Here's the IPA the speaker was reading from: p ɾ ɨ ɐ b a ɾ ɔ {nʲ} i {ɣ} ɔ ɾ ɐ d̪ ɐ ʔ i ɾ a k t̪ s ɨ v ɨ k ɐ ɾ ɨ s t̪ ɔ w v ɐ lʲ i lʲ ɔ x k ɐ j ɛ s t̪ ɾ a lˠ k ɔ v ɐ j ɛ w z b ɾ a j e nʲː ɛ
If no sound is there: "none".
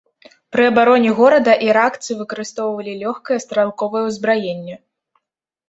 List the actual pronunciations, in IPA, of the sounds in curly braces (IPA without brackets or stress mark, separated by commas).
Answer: nʲ, ɣ